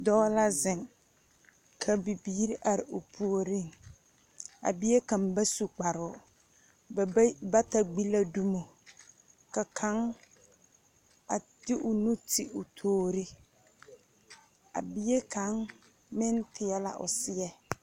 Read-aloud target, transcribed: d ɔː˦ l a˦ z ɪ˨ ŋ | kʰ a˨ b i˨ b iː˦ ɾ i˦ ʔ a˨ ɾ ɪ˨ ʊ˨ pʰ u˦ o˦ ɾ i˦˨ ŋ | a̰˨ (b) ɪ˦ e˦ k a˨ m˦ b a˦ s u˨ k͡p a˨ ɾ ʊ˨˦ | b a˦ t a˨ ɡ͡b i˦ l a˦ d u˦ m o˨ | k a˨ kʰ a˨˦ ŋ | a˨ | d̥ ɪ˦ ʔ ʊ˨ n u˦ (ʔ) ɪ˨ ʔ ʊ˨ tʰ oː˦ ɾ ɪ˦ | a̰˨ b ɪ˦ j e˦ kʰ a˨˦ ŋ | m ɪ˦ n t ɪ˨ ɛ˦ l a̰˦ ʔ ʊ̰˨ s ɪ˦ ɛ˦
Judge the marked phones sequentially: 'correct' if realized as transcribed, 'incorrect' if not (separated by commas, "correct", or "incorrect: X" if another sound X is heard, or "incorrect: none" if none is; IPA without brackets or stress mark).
correct, incorrect: t